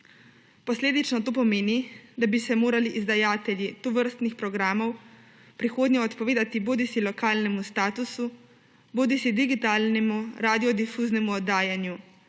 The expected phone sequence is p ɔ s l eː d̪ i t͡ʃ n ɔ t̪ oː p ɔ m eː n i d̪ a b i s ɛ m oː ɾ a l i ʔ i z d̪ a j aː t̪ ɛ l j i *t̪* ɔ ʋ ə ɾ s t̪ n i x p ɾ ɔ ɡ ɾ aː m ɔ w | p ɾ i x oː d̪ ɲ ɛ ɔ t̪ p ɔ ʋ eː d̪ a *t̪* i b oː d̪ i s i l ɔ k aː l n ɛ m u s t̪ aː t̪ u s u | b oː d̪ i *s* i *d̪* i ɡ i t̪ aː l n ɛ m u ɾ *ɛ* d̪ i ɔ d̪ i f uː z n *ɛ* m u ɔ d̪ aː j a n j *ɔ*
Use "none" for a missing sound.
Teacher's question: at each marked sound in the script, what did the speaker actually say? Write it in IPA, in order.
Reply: t̪, t̪, s, d̪, a, ɛ, u

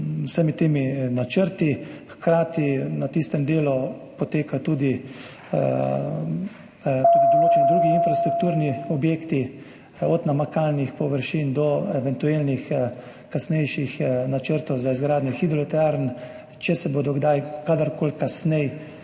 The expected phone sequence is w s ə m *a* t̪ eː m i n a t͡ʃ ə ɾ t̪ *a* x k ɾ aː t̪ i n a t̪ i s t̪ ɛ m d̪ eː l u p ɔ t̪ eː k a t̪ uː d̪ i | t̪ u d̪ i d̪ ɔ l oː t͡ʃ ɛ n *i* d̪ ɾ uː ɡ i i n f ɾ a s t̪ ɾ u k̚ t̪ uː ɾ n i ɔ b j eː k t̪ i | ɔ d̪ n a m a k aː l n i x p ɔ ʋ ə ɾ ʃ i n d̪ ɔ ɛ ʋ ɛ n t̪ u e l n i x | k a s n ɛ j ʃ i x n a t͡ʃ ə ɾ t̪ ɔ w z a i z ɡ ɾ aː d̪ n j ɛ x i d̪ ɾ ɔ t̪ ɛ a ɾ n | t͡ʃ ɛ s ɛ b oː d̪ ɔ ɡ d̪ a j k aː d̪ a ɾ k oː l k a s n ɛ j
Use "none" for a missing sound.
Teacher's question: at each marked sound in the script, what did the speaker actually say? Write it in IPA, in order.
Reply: i, i, i

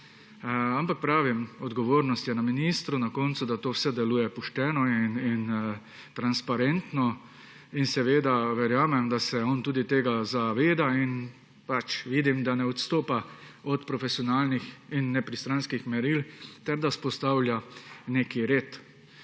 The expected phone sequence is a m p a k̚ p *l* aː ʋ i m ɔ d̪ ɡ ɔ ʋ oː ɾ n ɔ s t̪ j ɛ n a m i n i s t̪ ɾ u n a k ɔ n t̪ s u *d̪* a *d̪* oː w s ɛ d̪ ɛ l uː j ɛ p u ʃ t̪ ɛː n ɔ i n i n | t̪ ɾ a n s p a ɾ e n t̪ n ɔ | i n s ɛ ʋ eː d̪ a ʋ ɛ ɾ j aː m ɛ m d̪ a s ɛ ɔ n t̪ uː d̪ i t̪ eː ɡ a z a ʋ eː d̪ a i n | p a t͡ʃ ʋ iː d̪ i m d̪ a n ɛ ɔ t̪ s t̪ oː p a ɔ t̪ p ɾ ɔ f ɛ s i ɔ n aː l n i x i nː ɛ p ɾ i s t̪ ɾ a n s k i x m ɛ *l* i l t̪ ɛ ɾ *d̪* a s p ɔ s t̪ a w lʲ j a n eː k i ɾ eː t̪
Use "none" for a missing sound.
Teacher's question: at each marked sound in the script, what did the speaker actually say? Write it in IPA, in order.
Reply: ɾ, d̪, t̪, ɾ, d̪

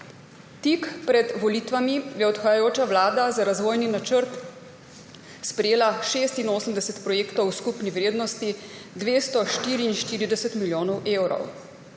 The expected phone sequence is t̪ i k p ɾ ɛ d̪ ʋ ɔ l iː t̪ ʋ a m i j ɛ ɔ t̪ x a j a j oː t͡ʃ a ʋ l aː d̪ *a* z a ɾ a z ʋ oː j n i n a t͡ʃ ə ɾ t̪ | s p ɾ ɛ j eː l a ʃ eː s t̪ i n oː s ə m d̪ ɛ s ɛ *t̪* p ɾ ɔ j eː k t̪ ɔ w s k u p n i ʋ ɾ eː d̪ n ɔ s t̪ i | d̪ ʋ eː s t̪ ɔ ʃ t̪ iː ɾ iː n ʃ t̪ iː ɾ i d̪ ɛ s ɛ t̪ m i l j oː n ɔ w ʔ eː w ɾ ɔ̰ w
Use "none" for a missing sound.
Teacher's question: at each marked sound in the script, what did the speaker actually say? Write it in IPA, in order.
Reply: a, t̪

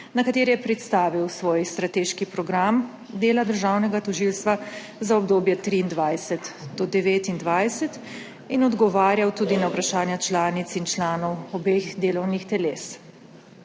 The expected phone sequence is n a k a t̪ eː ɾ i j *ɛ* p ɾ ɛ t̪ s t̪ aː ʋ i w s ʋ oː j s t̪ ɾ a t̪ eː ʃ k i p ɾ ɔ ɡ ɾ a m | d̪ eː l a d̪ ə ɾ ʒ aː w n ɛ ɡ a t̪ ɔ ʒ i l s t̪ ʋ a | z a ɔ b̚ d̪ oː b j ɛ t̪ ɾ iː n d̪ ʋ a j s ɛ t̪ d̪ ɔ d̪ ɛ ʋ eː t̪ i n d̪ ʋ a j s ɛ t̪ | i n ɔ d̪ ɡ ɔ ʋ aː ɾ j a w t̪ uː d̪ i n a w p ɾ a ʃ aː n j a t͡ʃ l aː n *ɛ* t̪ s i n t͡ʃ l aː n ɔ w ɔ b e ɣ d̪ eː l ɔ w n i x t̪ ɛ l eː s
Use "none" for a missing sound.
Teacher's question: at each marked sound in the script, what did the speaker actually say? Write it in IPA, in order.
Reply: ɛ, i

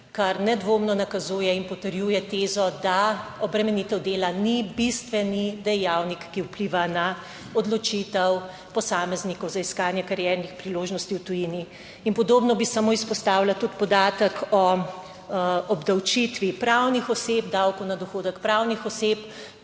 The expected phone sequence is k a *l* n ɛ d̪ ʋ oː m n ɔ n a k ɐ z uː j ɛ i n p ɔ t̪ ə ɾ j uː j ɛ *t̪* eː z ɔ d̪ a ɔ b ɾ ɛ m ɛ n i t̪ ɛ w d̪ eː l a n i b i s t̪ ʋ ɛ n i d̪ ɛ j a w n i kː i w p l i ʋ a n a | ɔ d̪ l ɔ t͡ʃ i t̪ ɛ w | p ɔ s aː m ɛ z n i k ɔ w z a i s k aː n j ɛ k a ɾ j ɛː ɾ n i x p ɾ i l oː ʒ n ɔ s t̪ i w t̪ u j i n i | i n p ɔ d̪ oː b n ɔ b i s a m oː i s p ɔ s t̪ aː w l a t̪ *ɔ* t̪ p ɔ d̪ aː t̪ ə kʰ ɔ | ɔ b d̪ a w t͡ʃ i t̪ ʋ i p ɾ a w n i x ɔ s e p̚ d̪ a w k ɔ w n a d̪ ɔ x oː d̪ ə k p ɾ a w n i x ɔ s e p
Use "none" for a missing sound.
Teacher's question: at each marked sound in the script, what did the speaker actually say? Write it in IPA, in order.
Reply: ɾ, t̪, u

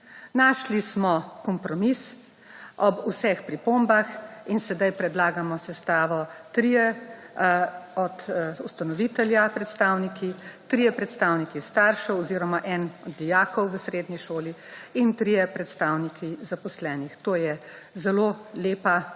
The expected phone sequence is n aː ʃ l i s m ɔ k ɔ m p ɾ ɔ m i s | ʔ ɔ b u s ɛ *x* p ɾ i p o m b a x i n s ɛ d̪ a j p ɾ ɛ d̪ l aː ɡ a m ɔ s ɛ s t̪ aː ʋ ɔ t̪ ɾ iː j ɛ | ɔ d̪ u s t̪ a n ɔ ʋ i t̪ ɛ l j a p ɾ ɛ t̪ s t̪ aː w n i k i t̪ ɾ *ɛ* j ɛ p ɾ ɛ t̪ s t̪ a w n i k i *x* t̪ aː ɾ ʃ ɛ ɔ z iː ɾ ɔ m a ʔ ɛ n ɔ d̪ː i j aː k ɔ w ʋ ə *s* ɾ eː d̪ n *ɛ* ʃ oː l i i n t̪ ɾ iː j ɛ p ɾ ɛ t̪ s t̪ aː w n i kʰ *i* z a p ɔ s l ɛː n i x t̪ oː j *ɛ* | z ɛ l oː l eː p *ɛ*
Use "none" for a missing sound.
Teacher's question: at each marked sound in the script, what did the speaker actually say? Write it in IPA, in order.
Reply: x, i, s, s, i, i, ɛ, a

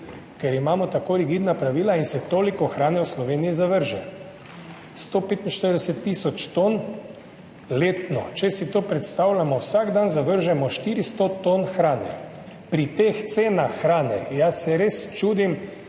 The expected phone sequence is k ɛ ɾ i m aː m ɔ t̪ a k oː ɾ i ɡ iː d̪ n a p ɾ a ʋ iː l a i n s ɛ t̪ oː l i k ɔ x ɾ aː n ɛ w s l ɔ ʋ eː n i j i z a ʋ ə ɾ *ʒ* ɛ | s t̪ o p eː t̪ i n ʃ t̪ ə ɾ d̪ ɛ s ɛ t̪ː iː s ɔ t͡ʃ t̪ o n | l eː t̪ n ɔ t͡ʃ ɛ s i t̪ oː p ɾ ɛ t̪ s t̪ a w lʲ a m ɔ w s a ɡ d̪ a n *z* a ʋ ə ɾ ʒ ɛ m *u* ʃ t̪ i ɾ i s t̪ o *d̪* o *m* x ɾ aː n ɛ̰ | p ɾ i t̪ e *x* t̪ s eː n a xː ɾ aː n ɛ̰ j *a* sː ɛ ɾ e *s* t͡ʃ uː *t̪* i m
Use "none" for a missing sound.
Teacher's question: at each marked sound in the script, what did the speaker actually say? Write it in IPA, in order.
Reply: ʒ, z, ɔ, t̪, n, x, a, s, d̪

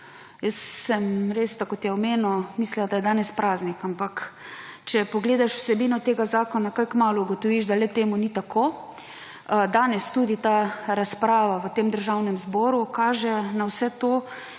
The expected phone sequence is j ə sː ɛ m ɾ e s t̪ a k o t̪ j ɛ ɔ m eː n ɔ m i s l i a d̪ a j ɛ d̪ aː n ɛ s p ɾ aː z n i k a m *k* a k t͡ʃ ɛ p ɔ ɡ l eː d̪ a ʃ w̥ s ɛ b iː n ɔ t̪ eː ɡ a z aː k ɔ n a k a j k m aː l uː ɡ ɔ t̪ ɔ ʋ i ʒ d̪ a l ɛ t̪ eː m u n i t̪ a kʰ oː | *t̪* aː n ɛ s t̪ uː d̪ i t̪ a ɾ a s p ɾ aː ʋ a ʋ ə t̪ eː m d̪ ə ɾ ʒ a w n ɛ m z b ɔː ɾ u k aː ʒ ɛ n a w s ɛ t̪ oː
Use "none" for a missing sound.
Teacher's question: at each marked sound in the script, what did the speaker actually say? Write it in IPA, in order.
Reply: p, d̪

